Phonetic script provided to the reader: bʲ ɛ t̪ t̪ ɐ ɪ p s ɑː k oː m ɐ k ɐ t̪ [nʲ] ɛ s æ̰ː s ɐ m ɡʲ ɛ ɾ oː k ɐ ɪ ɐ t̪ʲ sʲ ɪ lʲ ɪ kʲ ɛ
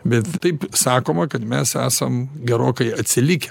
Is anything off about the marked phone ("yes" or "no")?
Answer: yes